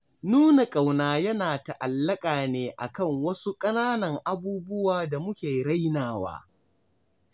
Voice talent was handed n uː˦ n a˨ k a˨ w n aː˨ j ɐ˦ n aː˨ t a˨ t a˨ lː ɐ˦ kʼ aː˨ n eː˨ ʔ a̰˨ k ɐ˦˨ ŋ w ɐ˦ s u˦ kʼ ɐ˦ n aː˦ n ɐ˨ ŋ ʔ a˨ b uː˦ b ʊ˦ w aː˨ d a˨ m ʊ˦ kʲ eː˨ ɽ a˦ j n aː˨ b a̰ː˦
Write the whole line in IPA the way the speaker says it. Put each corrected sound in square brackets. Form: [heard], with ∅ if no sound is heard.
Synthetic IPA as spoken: n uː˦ n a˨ [kʼ] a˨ w n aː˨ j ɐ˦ n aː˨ t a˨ [ʔ] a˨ lː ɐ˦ kʼ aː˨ n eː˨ ʔ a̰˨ k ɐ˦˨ ŋ w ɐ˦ s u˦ kʼ ɐ˦ n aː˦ n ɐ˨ ŋ ʔ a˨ b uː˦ b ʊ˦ w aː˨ d a˨ m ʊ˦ kʲ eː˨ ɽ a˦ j n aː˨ [w] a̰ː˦